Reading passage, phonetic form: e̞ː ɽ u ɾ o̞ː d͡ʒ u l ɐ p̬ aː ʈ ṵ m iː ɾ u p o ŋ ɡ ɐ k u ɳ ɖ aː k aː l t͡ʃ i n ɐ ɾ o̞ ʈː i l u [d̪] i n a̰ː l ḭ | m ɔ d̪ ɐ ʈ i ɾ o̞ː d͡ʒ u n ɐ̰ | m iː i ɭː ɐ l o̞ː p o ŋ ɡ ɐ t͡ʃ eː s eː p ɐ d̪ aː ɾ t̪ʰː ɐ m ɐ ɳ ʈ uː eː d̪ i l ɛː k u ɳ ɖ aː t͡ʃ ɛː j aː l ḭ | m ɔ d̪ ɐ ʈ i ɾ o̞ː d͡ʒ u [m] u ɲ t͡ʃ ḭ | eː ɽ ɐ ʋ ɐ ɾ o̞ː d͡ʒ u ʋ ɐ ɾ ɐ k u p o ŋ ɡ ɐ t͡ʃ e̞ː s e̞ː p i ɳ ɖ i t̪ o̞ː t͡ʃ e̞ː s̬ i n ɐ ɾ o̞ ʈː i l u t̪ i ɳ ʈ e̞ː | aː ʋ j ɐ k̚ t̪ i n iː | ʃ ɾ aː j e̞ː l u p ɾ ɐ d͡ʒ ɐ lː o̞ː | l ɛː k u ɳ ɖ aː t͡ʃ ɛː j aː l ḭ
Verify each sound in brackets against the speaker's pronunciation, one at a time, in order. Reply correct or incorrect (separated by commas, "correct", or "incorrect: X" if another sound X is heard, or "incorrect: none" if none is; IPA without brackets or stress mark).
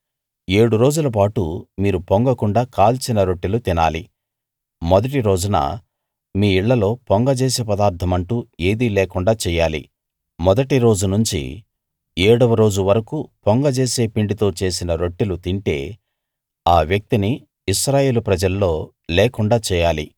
incorrect: t̪, incorrect: n